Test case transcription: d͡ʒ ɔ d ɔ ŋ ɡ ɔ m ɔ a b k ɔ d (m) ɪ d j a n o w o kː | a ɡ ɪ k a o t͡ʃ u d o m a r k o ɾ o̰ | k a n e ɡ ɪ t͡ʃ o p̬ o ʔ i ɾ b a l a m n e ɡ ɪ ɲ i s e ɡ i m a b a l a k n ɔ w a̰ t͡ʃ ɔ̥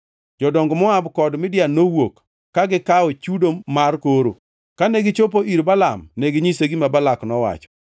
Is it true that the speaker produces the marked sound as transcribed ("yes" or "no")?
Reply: yes